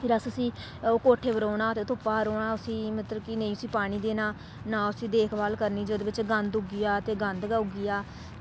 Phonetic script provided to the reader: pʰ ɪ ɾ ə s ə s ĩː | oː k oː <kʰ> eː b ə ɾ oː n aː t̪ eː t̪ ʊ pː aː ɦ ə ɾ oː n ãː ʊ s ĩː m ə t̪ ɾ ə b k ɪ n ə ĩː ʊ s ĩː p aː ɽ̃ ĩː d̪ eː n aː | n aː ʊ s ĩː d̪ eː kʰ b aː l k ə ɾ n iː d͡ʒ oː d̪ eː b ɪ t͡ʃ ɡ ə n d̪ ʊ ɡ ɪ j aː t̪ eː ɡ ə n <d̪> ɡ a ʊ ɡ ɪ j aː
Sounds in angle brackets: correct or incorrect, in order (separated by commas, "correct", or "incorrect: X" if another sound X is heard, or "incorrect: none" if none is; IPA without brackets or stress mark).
incorrect: ʈʰ, correct